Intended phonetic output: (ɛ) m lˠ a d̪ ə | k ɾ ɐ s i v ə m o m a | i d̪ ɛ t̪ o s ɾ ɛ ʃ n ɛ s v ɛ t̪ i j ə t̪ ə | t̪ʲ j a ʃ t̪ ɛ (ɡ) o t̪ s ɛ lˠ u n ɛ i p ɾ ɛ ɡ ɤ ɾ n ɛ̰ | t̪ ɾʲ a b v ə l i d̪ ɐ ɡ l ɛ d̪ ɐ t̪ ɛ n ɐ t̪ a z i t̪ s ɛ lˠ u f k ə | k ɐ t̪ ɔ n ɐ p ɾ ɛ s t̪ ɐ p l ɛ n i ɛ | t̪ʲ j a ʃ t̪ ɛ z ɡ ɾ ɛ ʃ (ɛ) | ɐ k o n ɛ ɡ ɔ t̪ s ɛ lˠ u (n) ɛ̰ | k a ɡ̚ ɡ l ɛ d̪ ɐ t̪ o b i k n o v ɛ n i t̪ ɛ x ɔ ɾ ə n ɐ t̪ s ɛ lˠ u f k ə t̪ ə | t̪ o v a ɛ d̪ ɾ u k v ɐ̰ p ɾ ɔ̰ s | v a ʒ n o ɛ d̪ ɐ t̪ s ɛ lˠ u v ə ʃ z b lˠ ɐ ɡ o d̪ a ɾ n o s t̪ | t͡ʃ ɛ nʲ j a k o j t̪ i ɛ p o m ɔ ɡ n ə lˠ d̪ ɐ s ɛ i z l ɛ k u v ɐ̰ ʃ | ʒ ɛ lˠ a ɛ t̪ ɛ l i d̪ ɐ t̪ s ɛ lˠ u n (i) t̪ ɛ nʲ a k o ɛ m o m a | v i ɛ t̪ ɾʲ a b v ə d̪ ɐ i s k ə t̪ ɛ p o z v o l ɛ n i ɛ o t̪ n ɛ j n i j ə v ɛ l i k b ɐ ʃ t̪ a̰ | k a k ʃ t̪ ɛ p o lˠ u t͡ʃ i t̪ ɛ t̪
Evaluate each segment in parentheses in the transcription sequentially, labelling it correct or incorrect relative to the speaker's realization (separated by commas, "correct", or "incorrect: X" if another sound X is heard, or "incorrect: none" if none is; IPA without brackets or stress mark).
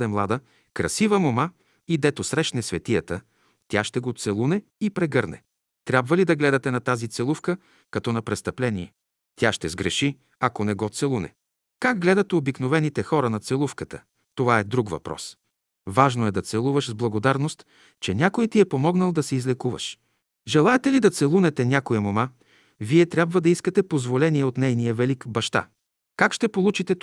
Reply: correct, correct, incorrect: i, correct, incorrect: ɛ